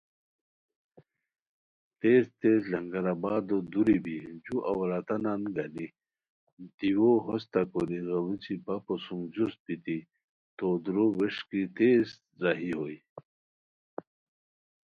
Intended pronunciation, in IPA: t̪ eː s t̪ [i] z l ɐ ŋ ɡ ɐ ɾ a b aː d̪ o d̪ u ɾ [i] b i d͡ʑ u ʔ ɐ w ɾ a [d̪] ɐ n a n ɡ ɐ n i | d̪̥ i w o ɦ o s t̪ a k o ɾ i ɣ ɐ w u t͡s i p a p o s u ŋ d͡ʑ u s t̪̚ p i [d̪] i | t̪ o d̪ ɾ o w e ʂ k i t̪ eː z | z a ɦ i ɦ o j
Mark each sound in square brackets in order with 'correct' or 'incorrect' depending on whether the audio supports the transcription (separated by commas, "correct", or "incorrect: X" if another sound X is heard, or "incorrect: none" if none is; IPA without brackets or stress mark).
incorrect: e, correct, incorrect: t̪, incorrect: t̪